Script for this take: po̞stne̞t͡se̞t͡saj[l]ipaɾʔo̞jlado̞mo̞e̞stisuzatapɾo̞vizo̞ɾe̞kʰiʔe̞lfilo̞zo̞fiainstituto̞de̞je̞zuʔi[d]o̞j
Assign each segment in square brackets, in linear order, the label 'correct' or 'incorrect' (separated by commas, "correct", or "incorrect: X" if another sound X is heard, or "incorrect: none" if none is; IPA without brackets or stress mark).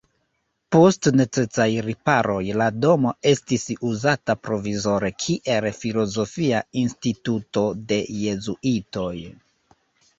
incorrect: ɾ, incorrect: t